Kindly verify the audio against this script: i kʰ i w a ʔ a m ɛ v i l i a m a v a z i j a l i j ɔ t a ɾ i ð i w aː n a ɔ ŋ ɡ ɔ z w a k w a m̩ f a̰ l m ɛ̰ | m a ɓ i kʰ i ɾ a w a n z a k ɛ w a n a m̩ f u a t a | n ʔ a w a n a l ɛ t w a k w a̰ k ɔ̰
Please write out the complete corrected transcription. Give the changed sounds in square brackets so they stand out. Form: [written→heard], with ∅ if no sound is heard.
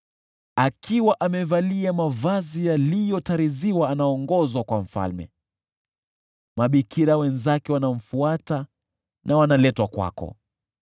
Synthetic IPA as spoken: [i→a] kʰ i w a ʔ a m ɛ v [i→a] l i a m a v a z i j a l i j ɔ t a ɾ i [ð→z] i w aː n a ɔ ŋ ɡ ɔ z w a k w a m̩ f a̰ l m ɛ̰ | m a ɓ i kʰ i ɾ a w [a→ɛ] n z a k ɛ w a n a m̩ f u a t a | n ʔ a w a n a l ɛ t w a k w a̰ k ɔ̰